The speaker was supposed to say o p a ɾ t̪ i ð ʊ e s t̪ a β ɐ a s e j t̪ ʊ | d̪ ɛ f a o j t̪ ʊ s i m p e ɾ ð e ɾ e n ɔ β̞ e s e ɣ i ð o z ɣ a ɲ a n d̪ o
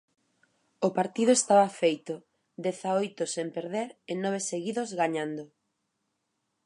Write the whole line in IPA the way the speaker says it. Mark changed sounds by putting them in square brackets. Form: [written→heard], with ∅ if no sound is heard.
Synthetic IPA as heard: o p a ɾ t̪ i ð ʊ e s t̪ a β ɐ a [s→f] e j t̪ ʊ | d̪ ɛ [f→θ] a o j t̪ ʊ s [i→e] m p e ɾ ð e ɾ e n ɔ β̞ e s e ɣ i ð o z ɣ a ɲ a n d̪ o